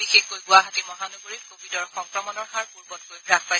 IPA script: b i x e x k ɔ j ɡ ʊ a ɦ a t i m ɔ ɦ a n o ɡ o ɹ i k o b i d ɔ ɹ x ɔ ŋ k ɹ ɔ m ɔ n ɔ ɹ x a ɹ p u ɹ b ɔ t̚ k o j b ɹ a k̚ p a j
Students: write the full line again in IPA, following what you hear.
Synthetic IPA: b i x e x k o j ɡ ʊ a ɦ a t i m ɔ ɦ a n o ɡ o ɹ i k o b i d ɔ ɹ x ɔ ŋ k ɹ ɔ m ɔ n ɔ ɹ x a ɹ p u ɹ b ɔ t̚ k o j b ɹ a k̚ p a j